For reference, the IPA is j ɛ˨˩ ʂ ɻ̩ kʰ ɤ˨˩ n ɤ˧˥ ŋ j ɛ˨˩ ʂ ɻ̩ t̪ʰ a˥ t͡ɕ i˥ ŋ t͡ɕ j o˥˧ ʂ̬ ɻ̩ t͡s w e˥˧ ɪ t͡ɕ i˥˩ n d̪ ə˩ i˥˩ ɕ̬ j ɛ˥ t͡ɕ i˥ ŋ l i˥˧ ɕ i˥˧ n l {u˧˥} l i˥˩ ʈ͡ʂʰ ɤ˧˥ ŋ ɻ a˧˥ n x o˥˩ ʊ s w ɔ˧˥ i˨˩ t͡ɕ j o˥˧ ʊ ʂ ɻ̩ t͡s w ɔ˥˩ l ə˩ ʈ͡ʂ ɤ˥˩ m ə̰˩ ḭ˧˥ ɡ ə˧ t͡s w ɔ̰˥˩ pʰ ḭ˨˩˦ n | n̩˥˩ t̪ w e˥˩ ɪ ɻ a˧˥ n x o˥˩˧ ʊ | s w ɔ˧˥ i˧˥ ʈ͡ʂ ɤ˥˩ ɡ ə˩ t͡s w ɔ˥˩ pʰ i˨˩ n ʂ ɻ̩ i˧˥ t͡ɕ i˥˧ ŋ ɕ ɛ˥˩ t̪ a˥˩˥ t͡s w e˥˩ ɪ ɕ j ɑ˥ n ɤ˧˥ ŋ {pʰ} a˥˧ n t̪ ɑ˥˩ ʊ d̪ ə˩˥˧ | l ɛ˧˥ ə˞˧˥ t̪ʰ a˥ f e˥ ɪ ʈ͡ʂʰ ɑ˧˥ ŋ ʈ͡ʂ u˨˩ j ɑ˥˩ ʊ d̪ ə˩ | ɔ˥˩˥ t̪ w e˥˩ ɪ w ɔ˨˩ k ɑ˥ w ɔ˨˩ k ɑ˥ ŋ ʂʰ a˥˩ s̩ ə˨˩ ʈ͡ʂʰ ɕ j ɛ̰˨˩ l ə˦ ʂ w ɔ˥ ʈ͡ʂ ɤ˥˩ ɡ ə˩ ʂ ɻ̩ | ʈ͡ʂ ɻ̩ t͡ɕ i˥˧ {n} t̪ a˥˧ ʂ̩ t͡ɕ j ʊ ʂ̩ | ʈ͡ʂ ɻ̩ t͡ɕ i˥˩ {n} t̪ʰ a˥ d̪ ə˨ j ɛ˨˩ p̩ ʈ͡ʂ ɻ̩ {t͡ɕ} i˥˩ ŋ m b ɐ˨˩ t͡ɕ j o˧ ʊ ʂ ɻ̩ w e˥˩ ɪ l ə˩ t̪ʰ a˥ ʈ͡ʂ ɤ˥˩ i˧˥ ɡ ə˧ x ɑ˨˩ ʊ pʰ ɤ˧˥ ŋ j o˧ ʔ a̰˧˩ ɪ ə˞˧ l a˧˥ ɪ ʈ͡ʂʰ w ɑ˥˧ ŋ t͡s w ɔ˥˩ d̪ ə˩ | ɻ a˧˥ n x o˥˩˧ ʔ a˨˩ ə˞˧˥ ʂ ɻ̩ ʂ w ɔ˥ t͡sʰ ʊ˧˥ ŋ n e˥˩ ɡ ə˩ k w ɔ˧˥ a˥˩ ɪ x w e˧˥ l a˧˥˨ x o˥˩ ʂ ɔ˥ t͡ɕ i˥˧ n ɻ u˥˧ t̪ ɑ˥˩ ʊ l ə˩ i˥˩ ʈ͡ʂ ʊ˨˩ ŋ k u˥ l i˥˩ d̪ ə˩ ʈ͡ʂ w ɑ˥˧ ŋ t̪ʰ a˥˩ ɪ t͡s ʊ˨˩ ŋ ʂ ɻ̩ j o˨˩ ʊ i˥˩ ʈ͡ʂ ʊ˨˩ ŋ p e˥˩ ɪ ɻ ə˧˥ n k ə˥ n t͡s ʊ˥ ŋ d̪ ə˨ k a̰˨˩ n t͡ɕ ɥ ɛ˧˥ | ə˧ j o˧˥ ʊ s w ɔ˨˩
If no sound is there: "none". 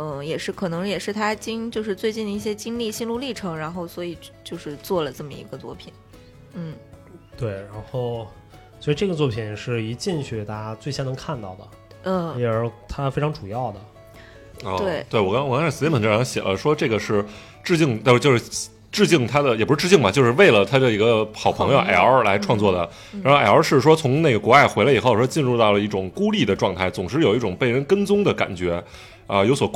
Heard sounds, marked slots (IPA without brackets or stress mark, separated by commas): u˥˧, kʰ, ŋ, ŋ, t͡ɕ